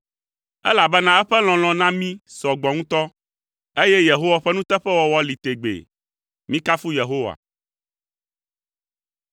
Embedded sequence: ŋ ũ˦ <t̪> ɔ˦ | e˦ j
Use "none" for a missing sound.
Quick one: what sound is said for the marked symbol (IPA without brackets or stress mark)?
t̪